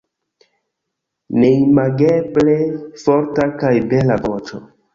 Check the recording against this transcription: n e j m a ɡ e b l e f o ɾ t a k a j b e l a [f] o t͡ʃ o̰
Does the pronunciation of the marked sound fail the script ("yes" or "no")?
yes